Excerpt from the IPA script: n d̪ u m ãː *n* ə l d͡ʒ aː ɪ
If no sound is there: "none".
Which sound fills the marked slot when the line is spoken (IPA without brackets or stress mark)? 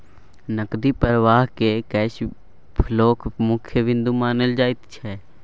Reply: n